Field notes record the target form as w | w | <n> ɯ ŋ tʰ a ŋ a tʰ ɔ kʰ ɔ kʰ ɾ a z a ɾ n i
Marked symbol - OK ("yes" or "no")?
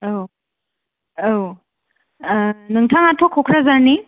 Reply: yes